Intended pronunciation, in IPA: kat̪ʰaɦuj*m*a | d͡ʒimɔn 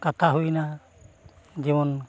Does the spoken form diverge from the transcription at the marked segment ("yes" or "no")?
yes